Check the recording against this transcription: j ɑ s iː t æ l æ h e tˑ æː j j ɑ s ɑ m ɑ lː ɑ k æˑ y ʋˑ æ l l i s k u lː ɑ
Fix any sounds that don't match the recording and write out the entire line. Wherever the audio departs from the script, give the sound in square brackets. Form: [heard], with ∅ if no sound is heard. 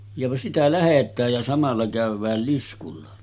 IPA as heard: j ɑ s [i] t æ l æ h e tˑ æː j j ɑ s ɑ m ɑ lː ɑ k æˑ y ʋˑ [æː] l l i s k u lː ɑ